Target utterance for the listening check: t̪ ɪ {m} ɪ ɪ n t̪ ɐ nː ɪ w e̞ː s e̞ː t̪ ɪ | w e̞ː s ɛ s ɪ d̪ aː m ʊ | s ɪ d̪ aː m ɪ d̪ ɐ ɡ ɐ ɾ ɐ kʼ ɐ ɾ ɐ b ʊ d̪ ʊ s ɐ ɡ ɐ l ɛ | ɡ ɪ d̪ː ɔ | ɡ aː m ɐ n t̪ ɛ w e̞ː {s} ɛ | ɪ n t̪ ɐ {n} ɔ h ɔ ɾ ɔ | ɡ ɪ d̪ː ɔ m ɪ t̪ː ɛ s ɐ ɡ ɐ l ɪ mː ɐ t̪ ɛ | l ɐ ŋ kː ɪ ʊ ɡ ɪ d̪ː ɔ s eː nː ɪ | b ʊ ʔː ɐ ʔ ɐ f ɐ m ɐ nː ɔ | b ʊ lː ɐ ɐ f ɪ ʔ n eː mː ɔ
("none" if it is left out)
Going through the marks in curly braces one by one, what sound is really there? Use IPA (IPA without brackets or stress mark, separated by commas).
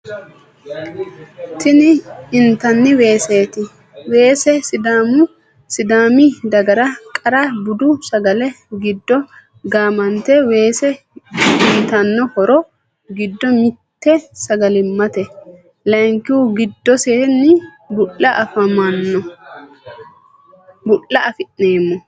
n, s, nː